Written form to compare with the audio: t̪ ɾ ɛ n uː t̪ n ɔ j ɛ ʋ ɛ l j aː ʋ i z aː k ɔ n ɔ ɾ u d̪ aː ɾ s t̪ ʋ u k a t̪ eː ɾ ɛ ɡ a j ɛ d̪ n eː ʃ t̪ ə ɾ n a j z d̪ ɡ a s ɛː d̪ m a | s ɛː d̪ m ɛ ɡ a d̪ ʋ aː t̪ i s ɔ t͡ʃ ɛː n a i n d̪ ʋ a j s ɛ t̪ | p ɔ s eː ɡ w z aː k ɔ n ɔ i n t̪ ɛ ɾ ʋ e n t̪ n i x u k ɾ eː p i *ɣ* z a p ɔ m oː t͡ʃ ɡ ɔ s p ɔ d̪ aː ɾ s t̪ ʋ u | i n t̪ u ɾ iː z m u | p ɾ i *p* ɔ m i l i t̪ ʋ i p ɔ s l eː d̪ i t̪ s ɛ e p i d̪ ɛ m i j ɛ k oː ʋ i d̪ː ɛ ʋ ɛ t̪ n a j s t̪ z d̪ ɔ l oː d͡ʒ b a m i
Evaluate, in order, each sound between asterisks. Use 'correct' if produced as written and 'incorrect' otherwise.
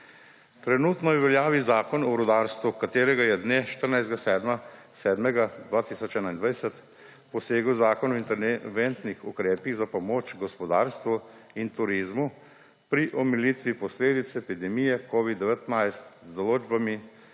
correct, incorrect

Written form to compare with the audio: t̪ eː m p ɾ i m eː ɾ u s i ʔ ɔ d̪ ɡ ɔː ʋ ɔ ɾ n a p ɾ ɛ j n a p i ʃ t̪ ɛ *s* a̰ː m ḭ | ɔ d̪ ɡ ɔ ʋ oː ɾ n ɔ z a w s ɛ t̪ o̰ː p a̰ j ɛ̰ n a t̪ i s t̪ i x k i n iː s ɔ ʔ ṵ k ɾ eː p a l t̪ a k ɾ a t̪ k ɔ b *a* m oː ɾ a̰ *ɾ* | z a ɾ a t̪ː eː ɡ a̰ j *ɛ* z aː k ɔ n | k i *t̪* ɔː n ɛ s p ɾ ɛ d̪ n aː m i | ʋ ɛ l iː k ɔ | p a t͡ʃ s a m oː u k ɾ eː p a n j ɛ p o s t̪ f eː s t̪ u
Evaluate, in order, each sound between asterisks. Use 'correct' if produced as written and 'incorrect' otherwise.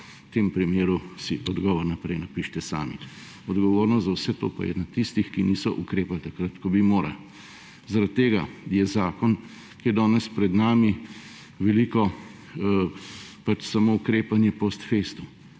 correct, incorrect, incorrect, correct, incorrect

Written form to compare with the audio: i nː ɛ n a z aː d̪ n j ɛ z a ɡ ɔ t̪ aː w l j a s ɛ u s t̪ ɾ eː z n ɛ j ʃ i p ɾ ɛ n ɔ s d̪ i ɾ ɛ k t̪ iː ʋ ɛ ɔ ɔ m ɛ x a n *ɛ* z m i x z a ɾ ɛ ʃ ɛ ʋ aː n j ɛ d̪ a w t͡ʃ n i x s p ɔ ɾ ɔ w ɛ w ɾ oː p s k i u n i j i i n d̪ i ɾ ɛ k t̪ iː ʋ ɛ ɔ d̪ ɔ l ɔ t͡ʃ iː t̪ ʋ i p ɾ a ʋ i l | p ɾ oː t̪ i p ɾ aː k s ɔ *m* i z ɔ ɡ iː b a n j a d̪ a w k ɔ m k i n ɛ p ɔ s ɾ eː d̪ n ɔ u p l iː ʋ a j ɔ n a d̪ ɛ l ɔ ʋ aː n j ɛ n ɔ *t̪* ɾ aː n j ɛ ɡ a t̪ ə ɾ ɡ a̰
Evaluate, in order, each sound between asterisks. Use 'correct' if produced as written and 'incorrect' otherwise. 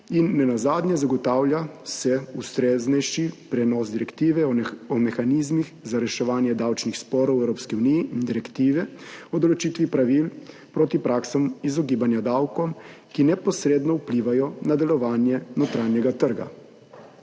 incorrect, correct, correct

